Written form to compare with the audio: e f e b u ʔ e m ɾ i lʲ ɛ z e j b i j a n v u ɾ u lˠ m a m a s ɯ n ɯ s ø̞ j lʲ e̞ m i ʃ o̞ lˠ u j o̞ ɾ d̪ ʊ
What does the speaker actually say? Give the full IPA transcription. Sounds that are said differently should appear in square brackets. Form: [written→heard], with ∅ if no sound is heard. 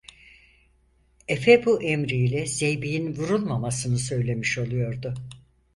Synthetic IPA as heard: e f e b u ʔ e m ɾ i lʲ ɛ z e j b i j [a→i] n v u ɾ u lˠ m a m a s ɯ n ɯ s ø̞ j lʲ e̞ m i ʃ o̞ lˠ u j o̞ ɾ d̪ ʊ